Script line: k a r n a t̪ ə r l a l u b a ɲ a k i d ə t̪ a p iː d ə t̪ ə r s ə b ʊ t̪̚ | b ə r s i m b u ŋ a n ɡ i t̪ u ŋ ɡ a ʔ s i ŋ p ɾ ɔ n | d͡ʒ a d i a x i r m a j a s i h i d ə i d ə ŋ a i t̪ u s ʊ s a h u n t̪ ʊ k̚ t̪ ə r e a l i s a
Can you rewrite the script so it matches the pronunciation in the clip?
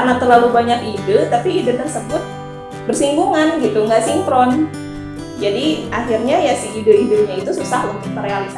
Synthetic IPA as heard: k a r n a t̪ ə r l a l u b a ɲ a k i d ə t̪ a p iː d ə t̪ ə r s ə b ʊ t̪̚ | b ə r s i m b u ŋ a n ɡ i t̪ u ŋ ɡ a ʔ s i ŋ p ɾ ɔ n | d͡ʒ a d i a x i r ɲ a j a s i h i d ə i d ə ɲ a i t̪ u s u s a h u n t̪ ʊ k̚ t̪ ə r e a l i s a